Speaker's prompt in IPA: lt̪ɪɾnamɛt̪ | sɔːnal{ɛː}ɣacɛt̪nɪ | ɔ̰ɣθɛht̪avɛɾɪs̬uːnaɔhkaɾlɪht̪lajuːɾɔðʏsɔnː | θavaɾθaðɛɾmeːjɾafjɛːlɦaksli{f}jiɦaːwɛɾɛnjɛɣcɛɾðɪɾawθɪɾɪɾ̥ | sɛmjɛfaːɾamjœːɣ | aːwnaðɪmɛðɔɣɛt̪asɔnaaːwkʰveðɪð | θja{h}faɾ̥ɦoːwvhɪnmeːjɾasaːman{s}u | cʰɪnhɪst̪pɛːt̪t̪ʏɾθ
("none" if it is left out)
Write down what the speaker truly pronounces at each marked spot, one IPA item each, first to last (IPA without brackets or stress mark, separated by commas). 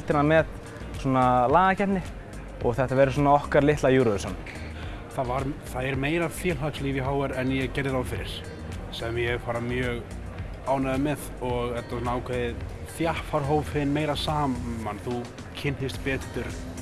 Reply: aː, v, h, θ